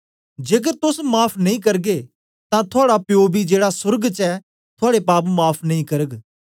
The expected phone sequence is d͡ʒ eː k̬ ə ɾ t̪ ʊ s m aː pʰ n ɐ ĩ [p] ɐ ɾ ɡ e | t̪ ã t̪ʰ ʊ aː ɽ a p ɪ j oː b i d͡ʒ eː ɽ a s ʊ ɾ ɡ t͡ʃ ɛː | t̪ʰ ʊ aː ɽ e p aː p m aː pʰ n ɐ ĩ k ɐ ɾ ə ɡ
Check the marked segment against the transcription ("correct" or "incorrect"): incorrect